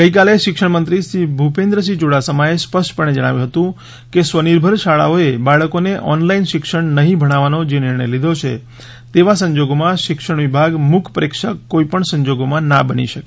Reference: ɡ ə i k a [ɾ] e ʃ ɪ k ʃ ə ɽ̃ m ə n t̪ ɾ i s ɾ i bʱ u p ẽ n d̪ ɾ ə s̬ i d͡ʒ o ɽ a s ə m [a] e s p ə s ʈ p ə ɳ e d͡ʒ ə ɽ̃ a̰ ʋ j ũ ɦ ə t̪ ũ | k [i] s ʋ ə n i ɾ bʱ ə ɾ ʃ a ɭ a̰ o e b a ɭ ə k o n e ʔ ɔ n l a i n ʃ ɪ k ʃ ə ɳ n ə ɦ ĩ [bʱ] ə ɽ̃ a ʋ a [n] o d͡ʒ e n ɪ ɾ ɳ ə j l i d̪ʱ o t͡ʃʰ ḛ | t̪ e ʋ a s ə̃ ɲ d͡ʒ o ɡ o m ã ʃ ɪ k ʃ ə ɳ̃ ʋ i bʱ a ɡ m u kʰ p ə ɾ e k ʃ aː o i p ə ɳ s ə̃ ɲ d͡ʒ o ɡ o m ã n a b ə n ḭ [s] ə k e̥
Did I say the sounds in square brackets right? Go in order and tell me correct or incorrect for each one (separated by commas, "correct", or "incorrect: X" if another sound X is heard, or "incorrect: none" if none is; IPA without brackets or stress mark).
incorrect: l, correct, incorrect: e, correct, correct, incorrect: ʃ